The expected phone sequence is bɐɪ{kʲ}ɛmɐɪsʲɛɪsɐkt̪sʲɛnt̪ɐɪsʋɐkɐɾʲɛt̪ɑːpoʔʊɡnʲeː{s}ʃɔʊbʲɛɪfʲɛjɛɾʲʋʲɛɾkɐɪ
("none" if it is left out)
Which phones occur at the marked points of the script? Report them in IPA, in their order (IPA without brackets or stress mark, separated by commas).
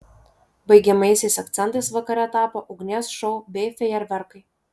ɡʲ, s